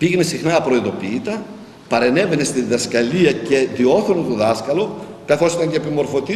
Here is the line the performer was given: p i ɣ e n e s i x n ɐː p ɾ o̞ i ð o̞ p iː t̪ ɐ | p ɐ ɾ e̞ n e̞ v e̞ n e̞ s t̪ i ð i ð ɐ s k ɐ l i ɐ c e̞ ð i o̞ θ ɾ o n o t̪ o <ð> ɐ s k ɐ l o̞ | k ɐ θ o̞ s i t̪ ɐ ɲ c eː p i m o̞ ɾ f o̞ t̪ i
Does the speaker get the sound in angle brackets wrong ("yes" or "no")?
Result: no